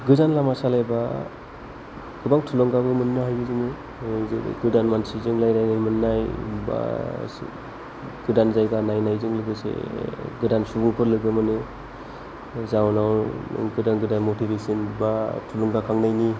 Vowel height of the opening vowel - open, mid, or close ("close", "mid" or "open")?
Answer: close